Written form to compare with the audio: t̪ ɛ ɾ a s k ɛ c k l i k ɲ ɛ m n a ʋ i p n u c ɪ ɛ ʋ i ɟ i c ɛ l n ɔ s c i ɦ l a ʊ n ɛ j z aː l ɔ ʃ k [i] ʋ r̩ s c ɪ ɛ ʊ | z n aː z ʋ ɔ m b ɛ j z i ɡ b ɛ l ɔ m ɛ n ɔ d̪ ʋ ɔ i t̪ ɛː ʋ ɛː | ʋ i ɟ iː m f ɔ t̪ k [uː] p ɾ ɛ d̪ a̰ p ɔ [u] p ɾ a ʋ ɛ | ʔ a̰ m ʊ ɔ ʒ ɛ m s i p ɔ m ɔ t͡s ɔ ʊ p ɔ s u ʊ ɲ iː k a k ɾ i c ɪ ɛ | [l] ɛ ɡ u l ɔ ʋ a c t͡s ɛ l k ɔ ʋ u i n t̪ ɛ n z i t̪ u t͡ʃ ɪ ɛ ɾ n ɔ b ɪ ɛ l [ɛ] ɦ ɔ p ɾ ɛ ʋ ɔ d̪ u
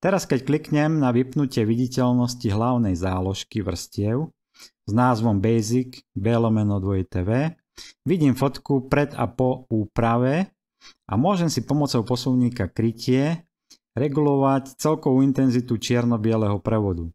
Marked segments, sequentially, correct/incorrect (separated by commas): correct, incorrect, incorrect, incorrect, correct